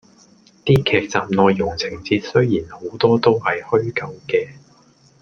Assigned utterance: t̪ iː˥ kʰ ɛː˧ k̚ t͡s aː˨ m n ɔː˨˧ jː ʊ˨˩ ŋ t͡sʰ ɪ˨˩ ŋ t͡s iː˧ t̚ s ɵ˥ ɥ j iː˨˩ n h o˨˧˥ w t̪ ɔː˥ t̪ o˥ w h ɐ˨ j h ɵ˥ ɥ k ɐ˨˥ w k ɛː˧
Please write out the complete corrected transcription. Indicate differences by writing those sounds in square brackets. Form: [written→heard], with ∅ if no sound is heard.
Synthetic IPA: t̪ iː˥ kʰ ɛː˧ k̚ t͡s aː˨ m n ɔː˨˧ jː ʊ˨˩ ŋ t͡sʰ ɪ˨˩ ŋ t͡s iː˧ t̚ s ɵ˥ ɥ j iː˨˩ n h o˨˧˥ w t̪ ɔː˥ t̪ o˥ w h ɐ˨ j h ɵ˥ ɥ k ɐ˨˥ w k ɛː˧